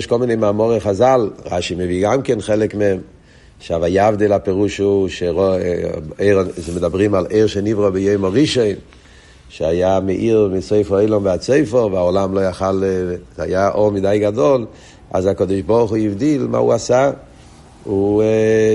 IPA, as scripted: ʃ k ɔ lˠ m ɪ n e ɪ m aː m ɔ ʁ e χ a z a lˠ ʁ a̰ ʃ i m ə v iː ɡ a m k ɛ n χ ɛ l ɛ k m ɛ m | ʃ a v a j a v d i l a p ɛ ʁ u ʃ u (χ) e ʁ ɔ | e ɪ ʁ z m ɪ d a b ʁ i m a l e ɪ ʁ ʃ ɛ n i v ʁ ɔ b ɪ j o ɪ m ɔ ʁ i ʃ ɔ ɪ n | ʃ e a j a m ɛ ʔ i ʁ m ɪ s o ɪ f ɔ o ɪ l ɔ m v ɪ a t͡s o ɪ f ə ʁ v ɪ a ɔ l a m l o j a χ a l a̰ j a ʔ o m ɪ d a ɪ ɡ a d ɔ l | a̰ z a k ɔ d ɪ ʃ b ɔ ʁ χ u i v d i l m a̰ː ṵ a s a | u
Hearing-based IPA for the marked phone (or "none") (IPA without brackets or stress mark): ʃ